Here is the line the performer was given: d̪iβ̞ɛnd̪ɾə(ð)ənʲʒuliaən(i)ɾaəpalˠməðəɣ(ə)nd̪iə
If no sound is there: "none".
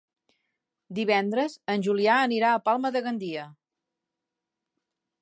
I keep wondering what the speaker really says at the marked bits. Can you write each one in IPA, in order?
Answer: z, i, ə

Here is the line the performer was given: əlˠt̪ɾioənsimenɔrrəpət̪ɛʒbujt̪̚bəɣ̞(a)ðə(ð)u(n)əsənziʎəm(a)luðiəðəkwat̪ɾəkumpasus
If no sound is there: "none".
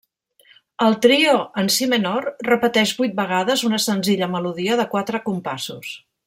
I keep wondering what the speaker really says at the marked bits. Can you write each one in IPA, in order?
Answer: a, z, n, ə

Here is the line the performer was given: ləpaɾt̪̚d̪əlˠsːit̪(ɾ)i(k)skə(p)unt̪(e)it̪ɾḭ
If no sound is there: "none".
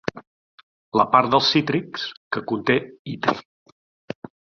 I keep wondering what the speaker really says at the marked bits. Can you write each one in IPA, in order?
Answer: ɾ, k, k, e

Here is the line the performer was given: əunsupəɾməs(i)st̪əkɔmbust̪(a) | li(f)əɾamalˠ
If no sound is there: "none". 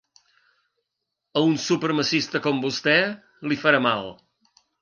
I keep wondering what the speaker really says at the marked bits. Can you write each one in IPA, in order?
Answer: i, ɛ, f

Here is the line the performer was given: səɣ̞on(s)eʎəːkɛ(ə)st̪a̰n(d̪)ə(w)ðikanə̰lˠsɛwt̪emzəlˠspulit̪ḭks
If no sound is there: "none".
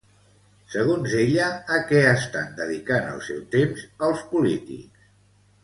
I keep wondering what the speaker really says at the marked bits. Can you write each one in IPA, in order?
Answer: z, ə, d̪, none

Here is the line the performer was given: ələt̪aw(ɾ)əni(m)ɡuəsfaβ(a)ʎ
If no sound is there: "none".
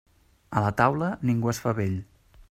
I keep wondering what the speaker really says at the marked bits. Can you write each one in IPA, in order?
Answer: l, ŋ, e

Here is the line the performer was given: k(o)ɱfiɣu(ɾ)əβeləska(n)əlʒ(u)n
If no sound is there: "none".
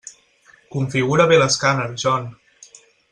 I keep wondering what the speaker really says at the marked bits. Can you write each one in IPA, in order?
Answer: u, ɾ, n, ɔ

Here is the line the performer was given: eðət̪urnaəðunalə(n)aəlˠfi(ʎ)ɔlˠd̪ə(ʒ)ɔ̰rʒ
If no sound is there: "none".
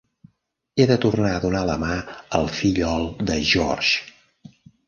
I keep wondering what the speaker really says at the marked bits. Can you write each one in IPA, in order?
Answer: m, ʎ, ʒ

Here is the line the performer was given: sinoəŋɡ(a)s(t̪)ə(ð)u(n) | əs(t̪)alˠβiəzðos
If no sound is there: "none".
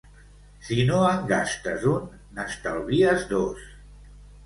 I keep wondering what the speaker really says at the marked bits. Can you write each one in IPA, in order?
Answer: a, t̪, z, nː, t̪

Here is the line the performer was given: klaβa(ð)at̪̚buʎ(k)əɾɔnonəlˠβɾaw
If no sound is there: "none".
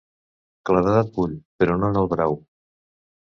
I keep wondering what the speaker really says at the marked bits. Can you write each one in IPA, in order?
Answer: ð, p

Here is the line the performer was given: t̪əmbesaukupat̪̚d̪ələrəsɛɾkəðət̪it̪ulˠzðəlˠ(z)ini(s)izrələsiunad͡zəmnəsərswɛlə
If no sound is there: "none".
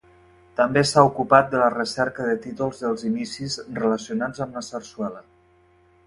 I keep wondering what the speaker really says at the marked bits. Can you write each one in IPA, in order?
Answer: z, s

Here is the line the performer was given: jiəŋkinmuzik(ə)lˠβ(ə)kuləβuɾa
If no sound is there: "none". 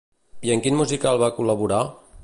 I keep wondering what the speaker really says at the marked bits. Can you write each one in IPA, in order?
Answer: a, a

